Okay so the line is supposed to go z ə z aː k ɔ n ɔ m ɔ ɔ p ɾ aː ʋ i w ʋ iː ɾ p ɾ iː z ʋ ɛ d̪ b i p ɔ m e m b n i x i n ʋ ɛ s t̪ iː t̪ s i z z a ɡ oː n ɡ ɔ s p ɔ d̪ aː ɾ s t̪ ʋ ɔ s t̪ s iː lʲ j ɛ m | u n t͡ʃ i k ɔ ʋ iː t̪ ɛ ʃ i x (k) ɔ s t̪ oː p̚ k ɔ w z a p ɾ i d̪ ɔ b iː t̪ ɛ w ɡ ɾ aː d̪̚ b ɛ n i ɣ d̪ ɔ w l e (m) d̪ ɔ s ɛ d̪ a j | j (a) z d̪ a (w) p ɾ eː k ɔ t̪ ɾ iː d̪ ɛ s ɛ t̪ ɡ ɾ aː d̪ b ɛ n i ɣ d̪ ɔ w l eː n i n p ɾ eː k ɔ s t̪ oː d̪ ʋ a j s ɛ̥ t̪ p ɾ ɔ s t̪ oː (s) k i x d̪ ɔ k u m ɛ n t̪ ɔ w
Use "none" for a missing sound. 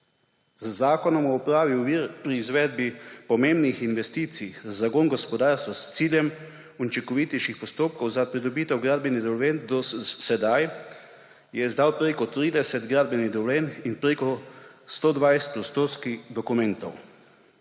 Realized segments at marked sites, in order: p, n, ɛ, w, s

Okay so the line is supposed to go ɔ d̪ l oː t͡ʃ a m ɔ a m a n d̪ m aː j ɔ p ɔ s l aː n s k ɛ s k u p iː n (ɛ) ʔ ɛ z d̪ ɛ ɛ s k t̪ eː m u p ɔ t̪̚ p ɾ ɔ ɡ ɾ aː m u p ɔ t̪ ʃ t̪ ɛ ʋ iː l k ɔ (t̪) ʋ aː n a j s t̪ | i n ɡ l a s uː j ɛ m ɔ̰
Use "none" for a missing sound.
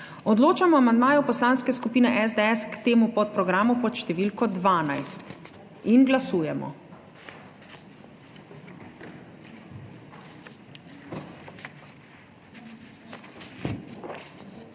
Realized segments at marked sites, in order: ɛ, d̪

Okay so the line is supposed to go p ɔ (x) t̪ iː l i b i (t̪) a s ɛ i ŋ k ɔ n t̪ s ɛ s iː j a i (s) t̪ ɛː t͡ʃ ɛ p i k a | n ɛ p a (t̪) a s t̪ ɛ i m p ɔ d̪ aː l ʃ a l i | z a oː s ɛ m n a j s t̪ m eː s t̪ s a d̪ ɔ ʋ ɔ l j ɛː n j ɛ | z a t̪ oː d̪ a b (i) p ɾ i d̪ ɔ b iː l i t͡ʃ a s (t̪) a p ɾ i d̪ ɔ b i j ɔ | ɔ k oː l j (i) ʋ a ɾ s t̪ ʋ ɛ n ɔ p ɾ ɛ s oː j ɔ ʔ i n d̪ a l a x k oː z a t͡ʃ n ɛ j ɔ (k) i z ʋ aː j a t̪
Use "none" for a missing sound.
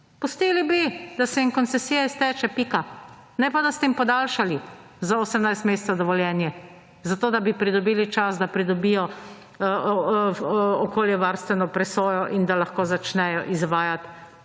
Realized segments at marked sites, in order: s, d̪, s, d̪, i, d̪, ɛ, ʔ

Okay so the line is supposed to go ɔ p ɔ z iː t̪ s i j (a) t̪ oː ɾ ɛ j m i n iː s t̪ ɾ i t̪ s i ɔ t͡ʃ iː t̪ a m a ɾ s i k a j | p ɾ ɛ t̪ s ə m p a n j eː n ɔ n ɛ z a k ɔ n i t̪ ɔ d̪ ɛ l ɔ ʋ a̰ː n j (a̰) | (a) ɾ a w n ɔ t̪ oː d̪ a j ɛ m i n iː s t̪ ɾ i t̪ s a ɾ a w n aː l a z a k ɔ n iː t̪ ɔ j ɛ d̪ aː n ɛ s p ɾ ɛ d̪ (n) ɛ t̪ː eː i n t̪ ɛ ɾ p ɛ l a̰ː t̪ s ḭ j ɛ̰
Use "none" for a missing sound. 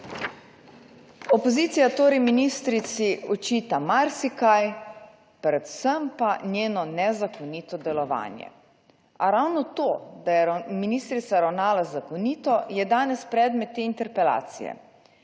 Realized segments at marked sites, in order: a, ɛ̰, a, m

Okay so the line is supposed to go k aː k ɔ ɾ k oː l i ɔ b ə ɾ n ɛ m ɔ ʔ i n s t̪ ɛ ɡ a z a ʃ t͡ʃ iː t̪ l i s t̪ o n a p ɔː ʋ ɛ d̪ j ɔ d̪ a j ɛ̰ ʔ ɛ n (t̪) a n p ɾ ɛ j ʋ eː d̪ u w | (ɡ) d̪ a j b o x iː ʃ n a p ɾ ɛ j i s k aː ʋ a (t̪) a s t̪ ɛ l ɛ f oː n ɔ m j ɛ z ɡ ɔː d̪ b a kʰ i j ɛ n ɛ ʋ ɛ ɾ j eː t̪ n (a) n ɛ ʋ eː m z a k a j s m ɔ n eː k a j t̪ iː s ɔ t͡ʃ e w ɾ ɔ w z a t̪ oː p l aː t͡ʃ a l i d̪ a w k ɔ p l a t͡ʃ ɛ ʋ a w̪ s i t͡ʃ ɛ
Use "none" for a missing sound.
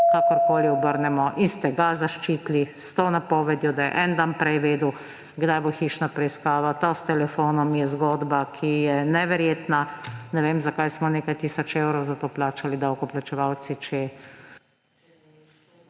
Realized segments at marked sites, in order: d̪, ɡ, t̪, a

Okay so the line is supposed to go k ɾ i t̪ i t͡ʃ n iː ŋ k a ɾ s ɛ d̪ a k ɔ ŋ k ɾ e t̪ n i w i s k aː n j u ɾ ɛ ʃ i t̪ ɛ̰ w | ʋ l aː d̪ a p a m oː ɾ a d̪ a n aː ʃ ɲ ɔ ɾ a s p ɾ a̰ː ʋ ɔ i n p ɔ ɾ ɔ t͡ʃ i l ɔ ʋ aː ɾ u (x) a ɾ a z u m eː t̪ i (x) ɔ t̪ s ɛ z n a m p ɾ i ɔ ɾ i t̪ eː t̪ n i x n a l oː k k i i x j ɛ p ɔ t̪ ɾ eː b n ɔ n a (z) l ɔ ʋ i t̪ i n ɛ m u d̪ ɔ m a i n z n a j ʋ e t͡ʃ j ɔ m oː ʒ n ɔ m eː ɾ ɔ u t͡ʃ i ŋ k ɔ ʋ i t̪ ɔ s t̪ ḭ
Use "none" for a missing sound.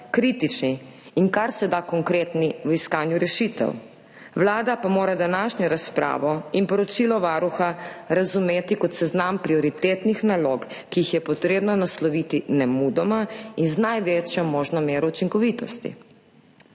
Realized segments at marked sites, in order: x, k, s

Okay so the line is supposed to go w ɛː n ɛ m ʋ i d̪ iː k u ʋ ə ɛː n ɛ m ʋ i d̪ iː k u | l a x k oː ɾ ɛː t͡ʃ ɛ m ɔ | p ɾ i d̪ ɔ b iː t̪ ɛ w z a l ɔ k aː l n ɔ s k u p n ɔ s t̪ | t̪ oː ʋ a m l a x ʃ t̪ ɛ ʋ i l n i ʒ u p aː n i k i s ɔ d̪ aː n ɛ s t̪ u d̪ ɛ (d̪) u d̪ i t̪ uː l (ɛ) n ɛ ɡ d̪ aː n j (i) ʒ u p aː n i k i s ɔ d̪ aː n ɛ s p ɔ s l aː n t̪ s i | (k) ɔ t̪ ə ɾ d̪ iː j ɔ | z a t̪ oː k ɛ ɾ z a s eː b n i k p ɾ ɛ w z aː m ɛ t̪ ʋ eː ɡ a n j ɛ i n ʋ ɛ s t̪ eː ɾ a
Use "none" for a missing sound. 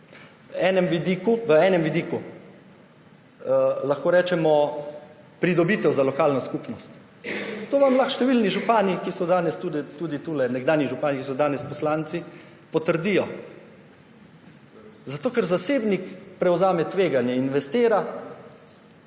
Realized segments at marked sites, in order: t̪, ɛ, i, p

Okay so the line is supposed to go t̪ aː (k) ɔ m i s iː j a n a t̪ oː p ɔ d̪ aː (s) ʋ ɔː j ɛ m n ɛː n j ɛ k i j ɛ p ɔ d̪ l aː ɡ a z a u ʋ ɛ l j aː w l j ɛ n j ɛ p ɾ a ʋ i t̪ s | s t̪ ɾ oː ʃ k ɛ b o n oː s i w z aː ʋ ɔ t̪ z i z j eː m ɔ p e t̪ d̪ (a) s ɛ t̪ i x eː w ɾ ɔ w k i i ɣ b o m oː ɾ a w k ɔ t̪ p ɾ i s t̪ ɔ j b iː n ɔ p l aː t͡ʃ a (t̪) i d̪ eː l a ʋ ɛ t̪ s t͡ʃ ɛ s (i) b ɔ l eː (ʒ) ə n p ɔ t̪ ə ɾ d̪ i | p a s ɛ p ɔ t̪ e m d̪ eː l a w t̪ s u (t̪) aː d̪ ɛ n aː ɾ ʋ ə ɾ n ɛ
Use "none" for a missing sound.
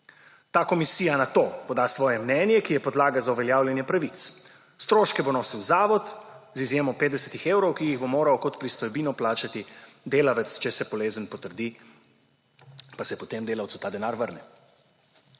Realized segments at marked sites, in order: k, s, ɛ, t̪, ɛ, z, t̪

